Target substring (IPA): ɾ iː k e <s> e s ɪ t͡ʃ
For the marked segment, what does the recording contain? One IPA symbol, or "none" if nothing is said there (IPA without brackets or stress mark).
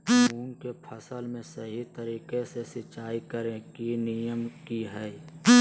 s